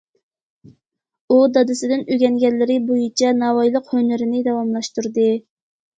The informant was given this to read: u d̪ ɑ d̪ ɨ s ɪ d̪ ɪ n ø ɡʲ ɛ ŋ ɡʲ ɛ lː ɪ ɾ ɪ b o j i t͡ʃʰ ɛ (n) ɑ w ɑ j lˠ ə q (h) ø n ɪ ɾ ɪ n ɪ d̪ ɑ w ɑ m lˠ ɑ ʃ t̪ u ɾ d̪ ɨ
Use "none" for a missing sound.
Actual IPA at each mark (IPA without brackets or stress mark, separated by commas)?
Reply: n, h